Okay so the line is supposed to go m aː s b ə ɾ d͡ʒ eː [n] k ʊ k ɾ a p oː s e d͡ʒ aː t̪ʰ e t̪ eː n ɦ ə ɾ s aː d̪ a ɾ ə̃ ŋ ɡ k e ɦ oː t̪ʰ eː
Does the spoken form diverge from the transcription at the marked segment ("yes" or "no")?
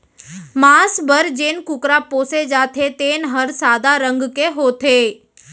no